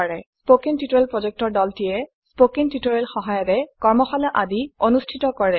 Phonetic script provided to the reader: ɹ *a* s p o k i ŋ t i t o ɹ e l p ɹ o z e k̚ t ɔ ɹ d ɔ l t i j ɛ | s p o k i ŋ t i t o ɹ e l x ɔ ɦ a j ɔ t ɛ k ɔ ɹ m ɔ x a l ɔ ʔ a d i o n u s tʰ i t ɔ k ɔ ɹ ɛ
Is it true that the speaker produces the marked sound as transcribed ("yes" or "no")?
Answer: no